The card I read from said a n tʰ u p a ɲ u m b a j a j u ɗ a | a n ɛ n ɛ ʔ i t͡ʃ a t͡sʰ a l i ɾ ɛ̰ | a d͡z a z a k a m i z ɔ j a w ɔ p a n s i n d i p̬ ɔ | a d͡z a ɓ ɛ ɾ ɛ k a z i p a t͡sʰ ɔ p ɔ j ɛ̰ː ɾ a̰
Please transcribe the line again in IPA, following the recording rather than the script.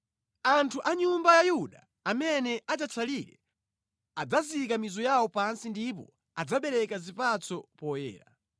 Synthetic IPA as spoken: a n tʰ u ʔ a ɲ u m b a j a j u ɗ a | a m ɛ n ɛ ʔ a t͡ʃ a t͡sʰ a l i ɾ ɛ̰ | a d͡z a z i k a m i z ɔ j a w ɔ p a n s i n d i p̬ ɔ | a d͡z a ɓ ɛ ɾ ɛ k a z i p a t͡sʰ ɔ p ɔ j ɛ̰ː ɾ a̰